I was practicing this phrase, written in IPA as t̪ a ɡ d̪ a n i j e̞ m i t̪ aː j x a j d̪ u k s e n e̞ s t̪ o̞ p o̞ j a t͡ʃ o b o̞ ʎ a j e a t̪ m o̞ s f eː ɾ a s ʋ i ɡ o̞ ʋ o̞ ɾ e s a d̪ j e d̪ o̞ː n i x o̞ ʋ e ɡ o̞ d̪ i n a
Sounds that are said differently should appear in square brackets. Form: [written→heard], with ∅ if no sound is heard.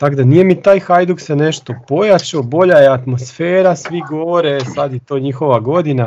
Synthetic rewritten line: t̪ a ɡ d̪ a n i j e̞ m i t̪ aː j x a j d̪ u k s e n e̞ [s→ʃ] t̪ o̞ p o̞ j a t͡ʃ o b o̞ ʎ a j e a t̪ m o̞ s f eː ɾ a s ʋ i ɡ o̞ ʋ o̞ ɾ e s a d̪ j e [d̪→t̪] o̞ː [n→ɲ] i x o̞ ʋ [e→a] ɡ o̞ d̪ i n a